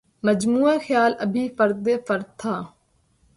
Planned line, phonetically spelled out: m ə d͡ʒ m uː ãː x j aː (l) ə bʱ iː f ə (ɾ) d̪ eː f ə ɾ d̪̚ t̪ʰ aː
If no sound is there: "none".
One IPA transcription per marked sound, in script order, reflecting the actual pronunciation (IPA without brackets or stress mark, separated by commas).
l, ɾ